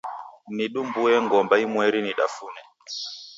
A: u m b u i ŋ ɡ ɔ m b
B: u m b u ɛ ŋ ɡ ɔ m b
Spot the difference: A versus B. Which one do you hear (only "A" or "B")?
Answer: B